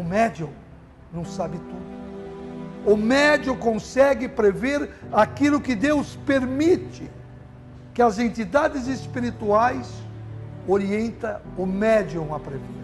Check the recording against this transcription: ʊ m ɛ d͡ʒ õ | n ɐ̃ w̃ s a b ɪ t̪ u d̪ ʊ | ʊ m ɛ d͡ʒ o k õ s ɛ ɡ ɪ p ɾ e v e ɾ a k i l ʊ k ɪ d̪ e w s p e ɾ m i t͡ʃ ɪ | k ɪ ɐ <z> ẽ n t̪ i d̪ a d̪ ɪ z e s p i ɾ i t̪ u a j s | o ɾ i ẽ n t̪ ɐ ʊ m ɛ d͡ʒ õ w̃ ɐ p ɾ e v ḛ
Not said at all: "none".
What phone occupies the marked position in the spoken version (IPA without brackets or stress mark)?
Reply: z